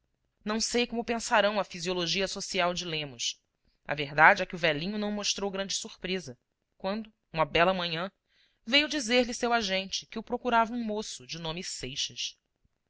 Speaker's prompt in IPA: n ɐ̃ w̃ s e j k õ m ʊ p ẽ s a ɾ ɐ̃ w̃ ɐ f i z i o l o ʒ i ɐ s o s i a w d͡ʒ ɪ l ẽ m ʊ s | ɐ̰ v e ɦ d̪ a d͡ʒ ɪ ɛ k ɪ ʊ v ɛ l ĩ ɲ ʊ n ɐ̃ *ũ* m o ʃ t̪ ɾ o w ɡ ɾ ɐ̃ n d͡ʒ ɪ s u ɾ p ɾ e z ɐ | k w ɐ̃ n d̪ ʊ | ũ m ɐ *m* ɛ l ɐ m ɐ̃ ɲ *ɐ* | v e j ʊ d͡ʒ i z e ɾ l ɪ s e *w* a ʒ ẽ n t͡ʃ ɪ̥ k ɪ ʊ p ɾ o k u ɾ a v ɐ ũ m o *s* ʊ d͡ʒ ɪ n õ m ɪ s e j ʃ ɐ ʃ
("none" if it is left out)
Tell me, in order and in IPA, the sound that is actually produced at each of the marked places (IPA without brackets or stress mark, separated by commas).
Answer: w̃, b, ɐ̃, w, s